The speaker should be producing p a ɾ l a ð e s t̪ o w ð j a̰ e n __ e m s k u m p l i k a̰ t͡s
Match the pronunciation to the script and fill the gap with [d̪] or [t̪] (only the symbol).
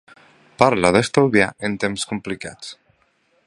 t̪